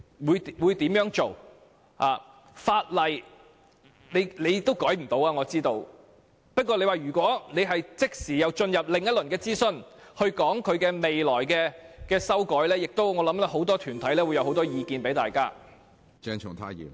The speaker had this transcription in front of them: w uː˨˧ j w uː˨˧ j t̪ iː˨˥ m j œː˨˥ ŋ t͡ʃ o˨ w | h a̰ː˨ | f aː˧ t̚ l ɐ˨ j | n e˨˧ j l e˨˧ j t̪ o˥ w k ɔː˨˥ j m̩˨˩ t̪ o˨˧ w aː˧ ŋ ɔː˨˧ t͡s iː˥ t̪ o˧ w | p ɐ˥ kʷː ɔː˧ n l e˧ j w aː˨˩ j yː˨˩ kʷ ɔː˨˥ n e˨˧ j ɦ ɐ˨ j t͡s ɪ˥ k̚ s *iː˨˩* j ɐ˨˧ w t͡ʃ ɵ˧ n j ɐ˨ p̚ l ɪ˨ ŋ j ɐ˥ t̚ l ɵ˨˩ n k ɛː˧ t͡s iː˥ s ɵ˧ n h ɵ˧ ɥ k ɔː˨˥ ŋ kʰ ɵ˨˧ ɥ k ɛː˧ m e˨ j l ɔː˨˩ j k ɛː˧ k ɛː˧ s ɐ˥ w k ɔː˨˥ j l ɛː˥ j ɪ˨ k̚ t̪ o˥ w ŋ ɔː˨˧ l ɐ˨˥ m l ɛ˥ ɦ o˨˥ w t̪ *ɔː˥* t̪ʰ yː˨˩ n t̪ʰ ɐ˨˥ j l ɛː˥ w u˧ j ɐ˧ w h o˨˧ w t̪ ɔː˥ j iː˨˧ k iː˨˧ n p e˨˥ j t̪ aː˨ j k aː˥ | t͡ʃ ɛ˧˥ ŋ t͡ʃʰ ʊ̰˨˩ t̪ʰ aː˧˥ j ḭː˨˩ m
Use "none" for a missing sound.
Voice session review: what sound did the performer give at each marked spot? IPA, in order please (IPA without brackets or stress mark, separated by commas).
iː˨˩, ɔː˥